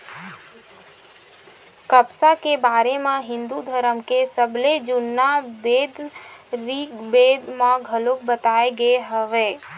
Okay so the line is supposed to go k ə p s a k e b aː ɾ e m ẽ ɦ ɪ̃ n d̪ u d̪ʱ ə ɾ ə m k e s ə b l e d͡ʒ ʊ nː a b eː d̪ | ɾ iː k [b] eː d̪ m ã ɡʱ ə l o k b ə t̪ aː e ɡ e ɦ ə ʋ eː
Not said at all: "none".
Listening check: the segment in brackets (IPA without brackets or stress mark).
b